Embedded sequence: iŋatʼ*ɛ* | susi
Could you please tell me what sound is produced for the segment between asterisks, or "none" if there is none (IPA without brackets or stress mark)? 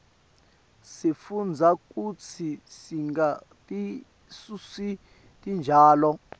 i